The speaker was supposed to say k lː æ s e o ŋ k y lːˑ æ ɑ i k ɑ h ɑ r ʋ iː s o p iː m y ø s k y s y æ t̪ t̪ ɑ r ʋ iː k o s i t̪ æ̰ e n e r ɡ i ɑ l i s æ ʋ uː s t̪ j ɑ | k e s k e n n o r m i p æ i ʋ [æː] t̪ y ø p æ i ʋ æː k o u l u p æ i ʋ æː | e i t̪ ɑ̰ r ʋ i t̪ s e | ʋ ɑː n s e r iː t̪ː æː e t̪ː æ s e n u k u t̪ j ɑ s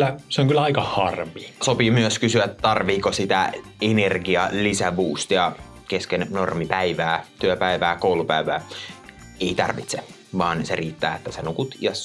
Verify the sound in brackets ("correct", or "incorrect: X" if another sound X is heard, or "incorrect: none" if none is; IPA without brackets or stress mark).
correct